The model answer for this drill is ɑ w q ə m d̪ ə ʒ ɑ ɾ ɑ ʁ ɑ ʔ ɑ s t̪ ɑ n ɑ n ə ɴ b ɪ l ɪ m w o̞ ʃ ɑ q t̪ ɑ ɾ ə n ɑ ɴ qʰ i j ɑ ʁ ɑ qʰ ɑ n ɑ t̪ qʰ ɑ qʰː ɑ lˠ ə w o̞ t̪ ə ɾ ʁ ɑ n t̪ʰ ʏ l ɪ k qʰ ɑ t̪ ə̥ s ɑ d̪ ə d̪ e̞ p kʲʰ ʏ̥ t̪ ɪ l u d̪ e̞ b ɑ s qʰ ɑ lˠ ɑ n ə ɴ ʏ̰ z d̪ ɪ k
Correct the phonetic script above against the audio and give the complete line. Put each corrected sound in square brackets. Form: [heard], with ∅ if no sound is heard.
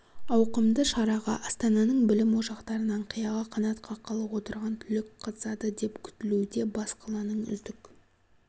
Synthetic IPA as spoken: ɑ w q ə m d̪ ə [ʃ] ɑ ɾ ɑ ʁ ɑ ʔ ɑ s t̪ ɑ n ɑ n ə ɴ b ɪ l ɪ m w o̞ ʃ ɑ q t̪ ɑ ɾ ə n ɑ ɴ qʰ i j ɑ ʁ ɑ qʰ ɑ n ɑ t̪ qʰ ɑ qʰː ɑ lˠ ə w o̞ t̪ ə ɾ ʁ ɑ n t̪ʰ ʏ l ɪ k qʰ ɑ t̪ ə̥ s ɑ d̪ ə d̪ e̞ p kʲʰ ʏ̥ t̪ ɪ l u d̪ e̞ b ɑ s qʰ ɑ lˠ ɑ n ə ɴ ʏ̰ z d̪ ɪ k

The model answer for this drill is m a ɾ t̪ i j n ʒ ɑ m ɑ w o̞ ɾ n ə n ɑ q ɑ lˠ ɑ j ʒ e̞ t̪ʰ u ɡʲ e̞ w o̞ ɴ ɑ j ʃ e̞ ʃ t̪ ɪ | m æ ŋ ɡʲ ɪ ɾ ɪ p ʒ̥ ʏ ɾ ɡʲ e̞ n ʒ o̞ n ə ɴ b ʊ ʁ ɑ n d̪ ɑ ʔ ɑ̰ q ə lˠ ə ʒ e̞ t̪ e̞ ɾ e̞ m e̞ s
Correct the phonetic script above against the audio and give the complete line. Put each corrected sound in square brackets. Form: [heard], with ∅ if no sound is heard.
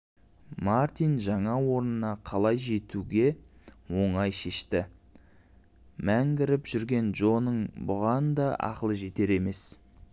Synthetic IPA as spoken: m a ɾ t̪ i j n ʒ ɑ [ɴ] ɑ w o̞ ɾ n ə n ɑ [qʰ] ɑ lˠ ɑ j ʒ e̞ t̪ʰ u ɡʲ e̞ w o̞ ɴ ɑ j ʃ e̞ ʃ t̪ ɪ | m æ ŋ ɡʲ ɪ ɾ ɪ p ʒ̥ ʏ ɾ ɡʲ e̞ n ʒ o̞ n ə ɴ b ʊ ʁ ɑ n d̪ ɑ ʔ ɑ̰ q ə lˠ ə ʒ e̞ t̪ e̞ ɾ e̞ m e̞ s

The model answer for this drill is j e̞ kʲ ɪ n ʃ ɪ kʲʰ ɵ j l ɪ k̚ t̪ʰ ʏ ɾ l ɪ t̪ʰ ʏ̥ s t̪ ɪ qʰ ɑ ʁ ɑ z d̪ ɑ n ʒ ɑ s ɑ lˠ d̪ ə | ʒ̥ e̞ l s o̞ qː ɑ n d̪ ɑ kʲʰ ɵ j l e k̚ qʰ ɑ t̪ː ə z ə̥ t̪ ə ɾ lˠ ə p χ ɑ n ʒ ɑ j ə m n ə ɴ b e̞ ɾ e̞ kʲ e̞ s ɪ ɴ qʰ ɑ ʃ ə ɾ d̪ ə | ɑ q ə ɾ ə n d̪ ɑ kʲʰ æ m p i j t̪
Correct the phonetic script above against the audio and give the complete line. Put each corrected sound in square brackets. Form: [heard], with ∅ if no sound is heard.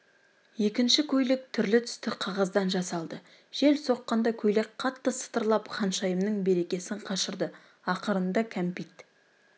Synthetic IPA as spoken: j e̞ kʲ ɪ n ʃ ɪ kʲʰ ɵ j l ɪ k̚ t̪ʰ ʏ ɾ l ɪ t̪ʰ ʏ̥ s t̪ ɪ qʰ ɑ ʁ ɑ z d̪ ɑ n ʒ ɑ s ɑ lˠ d̪ ə | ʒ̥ e̞ l s o̞ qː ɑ n d̪ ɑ kʲʰ ɵ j l e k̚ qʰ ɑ t̪ː ə [s] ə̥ t̪ ə ɾ lˠ [ɑ] p χ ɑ n [ʃ] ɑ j ə m n ə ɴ b e̞ ɾ e̞ kʲ e̞ s ɪ ɴ qʰ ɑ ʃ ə ɾ d̪ ə | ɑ q ə ɾ ə n d̪ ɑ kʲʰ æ m p i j t̪

